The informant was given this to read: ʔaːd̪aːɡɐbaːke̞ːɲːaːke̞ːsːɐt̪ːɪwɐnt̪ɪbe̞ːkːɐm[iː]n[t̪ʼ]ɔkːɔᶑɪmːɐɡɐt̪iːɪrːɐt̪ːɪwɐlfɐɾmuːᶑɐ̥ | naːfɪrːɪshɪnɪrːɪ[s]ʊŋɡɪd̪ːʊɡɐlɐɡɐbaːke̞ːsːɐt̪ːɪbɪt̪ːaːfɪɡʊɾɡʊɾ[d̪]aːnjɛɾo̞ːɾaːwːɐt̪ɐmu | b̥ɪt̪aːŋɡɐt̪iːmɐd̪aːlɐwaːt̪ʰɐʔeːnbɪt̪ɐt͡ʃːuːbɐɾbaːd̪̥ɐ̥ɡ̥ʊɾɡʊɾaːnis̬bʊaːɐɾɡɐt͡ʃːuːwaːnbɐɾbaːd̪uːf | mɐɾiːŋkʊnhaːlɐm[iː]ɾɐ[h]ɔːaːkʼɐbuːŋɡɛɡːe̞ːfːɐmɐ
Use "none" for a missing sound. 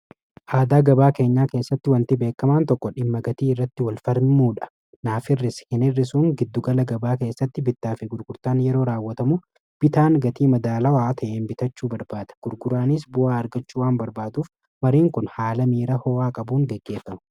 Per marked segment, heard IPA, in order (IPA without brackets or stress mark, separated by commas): aː, t̪, s, t̪, iː, h